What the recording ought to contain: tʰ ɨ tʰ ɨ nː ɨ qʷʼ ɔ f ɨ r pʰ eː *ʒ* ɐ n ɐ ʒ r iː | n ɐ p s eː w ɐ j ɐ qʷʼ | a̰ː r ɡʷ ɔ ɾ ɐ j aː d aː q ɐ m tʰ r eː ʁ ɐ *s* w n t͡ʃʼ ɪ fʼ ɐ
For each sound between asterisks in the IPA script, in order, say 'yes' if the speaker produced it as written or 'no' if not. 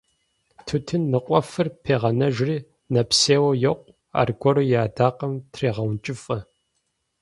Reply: no, no

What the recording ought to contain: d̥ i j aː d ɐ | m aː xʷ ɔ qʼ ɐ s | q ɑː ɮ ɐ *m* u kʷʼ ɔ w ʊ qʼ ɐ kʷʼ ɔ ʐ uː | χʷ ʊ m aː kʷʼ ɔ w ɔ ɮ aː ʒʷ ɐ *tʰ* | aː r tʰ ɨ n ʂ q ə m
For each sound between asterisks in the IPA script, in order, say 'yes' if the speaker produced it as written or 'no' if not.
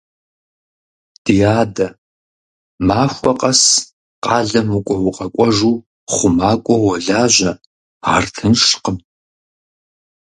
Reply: yes, no

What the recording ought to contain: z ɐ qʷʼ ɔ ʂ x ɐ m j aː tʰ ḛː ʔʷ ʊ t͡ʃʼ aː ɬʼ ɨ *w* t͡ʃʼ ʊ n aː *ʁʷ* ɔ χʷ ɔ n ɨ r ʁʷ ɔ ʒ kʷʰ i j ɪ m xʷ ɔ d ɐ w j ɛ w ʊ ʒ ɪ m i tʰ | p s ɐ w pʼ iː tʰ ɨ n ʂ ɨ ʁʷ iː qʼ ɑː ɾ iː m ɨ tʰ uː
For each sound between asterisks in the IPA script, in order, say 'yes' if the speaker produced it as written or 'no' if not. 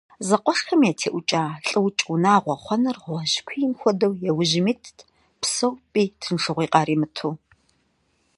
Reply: yes, yes

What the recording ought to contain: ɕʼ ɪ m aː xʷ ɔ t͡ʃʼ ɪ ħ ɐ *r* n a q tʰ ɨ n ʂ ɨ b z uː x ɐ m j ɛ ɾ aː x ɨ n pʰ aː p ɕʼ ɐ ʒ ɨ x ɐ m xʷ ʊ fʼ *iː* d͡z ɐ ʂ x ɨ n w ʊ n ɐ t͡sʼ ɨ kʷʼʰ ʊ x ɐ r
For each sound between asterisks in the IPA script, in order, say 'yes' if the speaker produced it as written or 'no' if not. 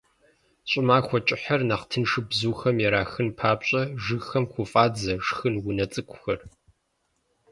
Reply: yes, no

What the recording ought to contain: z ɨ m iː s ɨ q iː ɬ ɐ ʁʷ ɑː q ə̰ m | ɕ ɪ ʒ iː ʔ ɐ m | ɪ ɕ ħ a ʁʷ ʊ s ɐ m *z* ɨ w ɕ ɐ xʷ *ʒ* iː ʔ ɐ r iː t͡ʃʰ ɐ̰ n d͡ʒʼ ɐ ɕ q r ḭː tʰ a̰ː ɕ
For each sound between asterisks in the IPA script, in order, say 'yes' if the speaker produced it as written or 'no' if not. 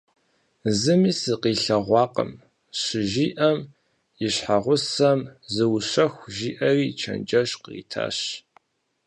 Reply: yes, yes

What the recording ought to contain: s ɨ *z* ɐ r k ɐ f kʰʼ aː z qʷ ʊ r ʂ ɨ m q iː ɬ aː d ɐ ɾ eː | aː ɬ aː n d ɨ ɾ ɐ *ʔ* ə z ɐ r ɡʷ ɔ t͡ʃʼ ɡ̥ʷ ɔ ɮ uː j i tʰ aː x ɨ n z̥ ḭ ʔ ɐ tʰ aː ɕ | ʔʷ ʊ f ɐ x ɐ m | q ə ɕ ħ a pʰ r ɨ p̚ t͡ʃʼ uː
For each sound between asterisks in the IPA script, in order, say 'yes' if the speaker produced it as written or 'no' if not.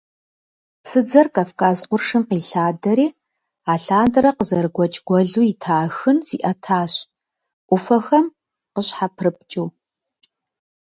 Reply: no, no

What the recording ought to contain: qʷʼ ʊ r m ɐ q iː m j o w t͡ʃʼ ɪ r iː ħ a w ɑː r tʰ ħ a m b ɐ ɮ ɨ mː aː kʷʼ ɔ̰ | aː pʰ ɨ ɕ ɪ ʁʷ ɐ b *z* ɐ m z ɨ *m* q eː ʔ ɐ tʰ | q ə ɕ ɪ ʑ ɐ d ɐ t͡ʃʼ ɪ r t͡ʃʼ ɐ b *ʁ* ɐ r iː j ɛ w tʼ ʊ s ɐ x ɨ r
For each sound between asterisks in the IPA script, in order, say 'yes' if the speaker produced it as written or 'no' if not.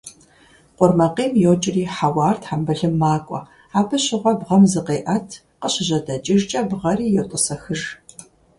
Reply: no, no, yes

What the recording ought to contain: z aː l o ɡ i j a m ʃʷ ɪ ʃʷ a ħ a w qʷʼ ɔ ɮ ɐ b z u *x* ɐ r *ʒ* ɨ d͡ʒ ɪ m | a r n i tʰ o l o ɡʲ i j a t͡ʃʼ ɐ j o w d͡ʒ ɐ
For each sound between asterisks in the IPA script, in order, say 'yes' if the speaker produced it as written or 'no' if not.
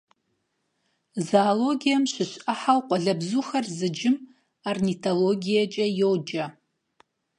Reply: yes, no

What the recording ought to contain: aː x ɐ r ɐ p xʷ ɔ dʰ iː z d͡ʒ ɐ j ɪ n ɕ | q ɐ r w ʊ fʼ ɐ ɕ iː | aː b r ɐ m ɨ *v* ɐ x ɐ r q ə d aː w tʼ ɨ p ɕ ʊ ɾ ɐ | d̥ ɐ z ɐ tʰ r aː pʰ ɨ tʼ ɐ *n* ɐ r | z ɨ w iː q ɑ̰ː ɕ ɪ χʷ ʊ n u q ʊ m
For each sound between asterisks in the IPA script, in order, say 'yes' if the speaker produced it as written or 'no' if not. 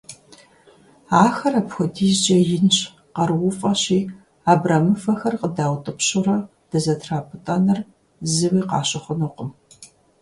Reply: no, yes

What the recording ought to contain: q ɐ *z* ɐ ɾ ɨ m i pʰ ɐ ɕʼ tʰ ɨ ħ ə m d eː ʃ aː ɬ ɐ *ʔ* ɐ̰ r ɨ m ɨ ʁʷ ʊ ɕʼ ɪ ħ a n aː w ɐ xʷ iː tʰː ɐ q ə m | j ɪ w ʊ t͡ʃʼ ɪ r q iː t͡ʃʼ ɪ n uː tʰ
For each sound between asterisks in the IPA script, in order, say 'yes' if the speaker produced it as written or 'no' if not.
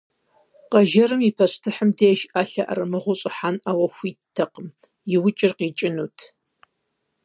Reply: no, yes

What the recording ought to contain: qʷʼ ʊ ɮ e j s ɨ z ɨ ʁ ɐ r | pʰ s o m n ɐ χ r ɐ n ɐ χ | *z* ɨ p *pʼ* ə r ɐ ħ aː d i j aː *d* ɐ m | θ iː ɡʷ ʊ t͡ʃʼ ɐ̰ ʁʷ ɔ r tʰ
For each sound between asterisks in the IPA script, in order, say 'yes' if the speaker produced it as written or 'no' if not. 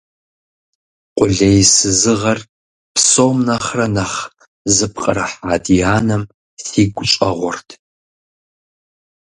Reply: yes, no, no

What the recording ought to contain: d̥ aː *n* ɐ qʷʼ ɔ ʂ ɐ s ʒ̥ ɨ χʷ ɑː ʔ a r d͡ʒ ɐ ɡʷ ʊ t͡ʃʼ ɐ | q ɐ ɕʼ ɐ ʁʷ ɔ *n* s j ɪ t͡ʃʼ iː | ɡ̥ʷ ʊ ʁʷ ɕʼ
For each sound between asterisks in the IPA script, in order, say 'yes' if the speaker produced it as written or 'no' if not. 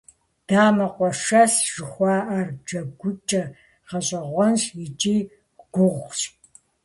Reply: no, yes

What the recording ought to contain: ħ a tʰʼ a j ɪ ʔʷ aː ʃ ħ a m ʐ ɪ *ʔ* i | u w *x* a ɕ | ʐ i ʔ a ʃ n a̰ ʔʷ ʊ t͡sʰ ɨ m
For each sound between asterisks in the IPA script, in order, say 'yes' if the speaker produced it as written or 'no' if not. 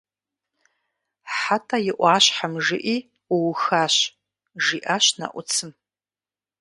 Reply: yes, yes

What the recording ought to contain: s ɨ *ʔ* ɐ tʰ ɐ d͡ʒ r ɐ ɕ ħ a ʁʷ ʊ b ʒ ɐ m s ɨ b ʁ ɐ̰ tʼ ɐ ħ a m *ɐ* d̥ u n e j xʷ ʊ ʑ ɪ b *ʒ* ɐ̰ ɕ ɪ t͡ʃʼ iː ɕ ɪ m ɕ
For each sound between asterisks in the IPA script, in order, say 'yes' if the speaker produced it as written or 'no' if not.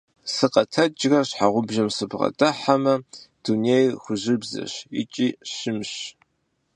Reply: no, yes, no

